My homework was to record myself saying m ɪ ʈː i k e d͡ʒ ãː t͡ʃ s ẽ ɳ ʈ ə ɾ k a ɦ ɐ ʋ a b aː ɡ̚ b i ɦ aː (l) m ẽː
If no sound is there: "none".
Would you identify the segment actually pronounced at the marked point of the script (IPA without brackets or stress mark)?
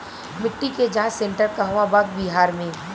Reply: ɾ